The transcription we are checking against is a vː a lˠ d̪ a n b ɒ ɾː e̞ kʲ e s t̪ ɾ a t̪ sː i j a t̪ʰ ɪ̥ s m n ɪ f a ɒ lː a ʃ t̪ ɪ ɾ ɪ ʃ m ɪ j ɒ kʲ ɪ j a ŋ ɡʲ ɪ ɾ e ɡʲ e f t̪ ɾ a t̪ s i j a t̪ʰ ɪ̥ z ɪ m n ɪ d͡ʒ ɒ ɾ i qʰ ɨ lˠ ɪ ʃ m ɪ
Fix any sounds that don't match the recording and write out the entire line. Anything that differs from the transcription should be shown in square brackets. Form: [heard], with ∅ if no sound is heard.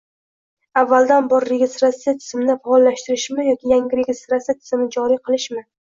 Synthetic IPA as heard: a vː a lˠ d̪ a n b ɒ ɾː e̞ [ɡʲ] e s t̪ ɾ a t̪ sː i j a t̪ʰ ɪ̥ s m n ɪ f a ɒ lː a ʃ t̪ ɪ ɾ ɪ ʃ m ɪ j ɒ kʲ ɪ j a ŋ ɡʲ ɪ ɾ e ɡʲ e [s] t̪ ɾ a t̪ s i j a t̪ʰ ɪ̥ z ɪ m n ɪ d͡ʒ ɒ ɾ i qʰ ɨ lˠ ɪ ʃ m ɪ